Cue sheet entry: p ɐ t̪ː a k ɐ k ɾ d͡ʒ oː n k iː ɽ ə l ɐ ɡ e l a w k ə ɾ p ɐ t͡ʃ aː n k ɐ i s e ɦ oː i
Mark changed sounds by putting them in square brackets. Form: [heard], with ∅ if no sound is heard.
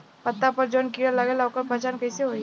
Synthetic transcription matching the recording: p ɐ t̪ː a [p] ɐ [∅] ɾ d͡ʒ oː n k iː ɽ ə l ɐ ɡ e l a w k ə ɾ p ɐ t͡ʃ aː n k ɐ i s e ɦ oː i